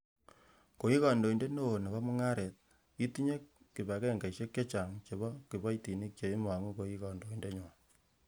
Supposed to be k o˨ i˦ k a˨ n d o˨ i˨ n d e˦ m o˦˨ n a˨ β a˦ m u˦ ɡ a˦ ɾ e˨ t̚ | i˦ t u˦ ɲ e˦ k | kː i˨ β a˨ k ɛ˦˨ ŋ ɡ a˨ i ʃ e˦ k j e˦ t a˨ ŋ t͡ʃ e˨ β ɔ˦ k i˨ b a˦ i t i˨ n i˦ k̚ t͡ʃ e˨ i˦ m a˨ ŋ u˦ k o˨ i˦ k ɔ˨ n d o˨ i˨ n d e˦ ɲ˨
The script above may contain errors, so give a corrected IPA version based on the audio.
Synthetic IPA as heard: k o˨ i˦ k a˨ n d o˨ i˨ n d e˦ n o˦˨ n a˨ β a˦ m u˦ ŋ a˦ ɾ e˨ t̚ | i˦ t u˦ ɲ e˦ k | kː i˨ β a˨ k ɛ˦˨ ŋ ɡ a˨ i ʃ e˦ k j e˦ t͡ʃ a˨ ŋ t͡ʃ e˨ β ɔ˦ k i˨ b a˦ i t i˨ n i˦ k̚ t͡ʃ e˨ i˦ m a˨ ŋ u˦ k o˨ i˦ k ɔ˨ n d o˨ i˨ n d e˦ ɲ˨